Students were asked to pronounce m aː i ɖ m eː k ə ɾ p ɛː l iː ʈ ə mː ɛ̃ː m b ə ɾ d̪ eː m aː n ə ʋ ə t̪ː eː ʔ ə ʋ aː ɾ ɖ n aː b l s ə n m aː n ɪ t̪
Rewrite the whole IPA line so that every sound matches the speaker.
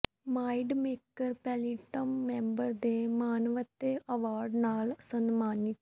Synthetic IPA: m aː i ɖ m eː k ə ɾ p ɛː l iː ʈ ə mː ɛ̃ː m b ə ɾ d̪ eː m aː n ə ʋ ə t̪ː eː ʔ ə ʋ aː ɾ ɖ n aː l s ə n m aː n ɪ t̪